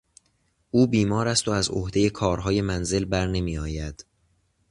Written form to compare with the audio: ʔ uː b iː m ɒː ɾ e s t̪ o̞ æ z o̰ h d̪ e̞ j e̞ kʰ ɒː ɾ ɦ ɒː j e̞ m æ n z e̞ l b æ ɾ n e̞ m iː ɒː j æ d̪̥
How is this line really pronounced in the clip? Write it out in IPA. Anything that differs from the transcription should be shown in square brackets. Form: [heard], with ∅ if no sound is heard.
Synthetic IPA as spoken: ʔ uː b iː m ɒː ɾ [æ] s t̪ o̞ æ z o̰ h d̪ e̞ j e̞ kʰ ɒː ɾ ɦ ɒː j e̞ m æ n z e̞ l b æ ɾ n e̞ m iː ɒː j æ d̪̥